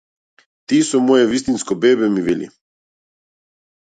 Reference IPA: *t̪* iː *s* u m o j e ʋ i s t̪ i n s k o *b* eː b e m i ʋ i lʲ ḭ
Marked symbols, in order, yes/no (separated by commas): yes, yes, yes